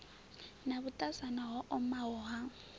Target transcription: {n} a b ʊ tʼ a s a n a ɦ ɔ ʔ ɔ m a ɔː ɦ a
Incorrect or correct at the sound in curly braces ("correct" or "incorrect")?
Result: correct